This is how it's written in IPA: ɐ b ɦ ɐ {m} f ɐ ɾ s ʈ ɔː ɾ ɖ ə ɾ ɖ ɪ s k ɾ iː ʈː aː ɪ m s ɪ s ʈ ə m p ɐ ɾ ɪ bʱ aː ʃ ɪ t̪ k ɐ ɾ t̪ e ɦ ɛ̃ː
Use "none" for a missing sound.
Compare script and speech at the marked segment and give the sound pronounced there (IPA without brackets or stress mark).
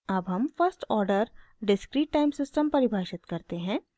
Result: m